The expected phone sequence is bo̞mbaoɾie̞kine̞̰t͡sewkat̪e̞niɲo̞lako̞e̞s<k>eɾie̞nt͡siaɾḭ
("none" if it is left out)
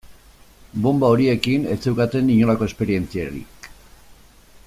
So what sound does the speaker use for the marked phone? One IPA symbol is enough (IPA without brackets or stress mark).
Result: p